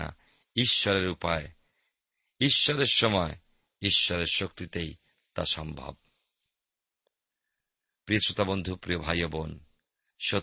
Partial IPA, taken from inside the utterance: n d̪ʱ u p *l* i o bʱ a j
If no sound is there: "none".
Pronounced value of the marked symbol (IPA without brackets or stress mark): ɾ